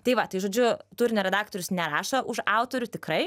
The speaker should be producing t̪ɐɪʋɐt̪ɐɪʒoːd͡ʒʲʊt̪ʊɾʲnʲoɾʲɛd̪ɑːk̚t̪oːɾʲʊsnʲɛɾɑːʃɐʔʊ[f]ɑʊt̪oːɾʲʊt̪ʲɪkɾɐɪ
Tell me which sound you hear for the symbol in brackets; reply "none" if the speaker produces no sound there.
ʃ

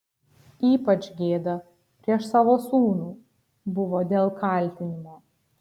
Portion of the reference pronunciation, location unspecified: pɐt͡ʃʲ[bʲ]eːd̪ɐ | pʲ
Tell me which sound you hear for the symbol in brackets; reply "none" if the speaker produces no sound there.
ɡʲ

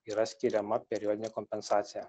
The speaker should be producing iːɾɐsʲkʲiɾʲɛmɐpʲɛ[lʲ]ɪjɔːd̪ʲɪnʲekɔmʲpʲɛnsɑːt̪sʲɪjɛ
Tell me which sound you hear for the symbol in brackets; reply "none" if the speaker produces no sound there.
ɾʲ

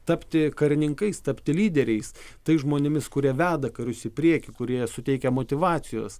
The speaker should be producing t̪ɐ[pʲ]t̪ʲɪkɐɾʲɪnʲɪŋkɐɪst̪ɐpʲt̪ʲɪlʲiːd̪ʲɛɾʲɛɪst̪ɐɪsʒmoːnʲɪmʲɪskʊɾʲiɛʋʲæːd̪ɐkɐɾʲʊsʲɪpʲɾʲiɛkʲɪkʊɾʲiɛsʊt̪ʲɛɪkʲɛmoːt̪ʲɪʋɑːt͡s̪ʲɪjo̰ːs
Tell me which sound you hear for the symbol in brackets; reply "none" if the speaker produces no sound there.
pʲ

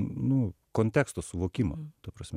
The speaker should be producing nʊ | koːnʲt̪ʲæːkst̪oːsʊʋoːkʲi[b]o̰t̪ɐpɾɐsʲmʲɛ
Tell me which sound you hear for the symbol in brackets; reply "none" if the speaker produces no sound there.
m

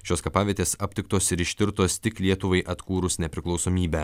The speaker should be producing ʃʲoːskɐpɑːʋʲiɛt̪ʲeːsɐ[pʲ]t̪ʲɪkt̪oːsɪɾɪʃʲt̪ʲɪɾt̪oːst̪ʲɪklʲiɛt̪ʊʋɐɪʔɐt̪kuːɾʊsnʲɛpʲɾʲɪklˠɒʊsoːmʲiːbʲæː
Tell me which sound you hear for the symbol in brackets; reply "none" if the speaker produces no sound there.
pʲ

